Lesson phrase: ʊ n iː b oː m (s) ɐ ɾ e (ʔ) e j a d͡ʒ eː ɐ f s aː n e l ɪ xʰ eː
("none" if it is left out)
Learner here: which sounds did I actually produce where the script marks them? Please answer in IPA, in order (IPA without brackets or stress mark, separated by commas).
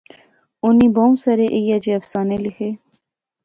s, ʔ